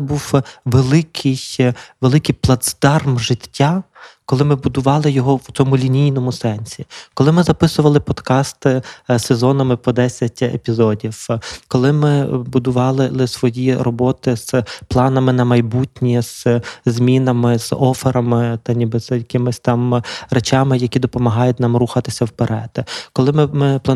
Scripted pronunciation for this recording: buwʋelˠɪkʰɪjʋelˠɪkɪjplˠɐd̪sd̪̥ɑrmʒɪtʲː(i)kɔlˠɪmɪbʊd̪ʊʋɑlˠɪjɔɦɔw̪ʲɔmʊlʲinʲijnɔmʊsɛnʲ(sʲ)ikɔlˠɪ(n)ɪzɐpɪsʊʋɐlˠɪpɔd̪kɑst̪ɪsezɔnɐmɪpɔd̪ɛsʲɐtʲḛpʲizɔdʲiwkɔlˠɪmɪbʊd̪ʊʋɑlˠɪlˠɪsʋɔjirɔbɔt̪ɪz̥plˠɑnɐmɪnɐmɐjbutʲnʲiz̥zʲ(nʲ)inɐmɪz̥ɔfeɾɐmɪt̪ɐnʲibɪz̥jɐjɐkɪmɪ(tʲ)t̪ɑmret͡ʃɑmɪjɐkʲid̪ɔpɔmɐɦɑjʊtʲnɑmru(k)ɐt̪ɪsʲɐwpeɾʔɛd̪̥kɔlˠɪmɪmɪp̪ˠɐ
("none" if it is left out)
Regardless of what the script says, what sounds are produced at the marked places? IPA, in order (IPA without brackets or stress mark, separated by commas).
a, sʲ, m, mʲ, sʲ, x